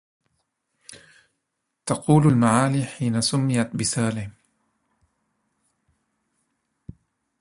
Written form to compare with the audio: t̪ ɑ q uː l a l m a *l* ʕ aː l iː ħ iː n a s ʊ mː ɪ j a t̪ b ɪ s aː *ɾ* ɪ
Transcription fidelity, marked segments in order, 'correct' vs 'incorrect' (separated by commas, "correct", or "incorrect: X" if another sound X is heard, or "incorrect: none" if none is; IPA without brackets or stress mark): incorrect: none, incorrect: l